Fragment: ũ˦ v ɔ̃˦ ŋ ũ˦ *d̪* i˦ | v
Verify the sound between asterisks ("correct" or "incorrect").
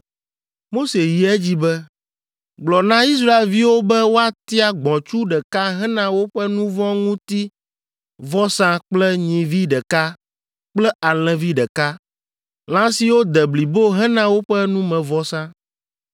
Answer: incorrect